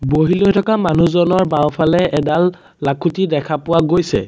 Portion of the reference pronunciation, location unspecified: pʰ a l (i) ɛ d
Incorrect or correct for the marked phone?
incorrect: ɛ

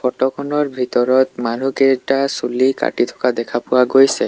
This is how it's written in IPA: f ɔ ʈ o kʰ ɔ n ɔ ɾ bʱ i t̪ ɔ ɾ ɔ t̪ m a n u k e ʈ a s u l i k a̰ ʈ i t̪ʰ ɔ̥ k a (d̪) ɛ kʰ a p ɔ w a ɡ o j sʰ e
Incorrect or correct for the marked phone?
correct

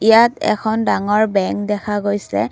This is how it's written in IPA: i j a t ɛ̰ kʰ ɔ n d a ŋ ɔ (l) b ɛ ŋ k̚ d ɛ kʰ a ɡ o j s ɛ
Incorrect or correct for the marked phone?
incorrect: ɹ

